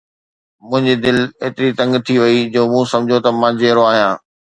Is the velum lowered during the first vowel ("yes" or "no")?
yes